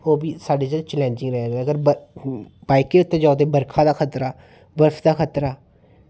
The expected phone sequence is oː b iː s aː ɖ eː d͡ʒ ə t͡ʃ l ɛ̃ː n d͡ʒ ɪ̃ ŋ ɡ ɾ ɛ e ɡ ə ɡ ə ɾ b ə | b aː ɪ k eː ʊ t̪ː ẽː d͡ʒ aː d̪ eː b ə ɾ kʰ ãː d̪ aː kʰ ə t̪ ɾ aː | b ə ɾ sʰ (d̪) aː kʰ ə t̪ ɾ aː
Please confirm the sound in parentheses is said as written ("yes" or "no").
yes